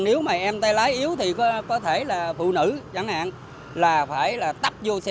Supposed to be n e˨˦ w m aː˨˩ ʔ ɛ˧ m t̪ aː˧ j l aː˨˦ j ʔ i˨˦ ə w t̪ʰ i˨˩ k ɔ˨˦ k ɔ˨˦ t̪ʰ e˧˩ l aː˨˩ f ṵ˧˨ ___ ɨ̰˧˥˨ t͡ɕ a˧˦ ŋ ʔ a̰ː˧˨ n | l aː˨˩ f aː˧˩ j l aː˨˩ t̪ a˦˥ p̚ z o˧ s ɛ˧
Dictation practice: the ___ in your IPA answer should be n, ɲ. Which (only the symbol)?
n